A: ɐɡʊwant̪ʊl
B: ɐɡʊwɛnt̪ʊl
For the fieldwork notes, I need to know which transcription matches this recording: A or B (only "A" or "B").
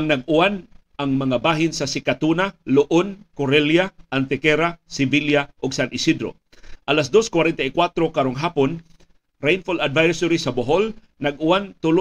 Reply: A